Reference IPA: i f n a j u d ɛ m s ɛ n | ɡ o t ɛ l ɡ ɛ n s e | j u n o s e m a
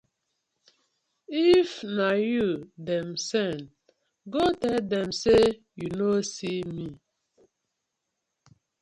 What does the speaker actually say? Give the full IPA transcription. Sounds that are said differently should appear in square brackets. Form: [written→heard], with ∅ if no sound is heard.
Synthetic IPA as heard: i f n a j u d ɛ m s ɛ n | ɡ o t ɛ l [ɡ→d] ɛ [n→m] s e | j u n o s [e→i] m [a→i]